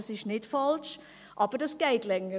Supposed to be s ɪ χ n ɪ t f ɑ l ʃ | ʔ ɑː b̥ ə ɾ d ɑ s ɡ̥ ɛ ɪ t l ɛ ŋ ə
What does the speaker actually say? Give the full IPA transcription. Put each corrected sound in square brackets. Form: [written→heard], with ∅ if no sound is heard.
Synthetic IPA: s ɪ [χ→ʃ] n ɪ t f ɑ l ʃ | ʔ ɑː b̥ ə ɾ d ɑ s ɡ̥ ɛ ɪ t l ɛ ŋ ə